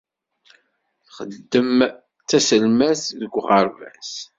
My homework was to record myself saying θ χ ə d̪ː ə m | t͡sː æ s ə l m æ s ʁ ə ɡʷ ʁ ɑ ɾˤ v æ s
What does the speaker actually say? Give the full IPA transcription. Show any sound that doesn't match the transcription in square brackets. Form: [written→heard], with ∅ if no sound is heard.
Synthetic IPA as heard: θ χ ə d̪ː ə m | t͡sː æ s ə l m æ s [ʁ→ð] ə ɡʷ ʁ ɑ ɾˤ v æ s